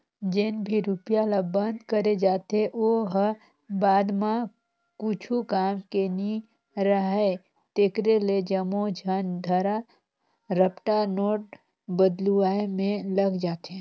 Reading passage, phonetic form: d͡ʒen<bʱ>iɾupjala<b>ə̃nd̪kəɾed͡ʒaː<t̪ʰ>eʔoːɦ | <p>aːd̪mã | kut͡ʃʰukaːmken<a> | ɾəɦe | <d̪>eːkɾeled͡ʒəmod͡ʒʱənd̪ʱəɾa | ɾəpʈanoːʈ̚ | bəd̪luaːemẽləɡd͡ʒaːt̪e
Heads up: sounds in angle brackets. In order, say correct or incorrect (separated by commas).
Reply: correct, correct, incorrect, incorrect, incorrect, incorrect